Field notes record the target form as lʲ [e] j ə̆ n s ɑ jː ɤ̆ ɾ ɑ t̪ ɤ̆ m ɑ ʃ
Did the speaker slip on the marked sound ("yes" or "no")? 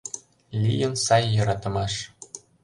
yes